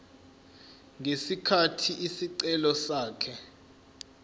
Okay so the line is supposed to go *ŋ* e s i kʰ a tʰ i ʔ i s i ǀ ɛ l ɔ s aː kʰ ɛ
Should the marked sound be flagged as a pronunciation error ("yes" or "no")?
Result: no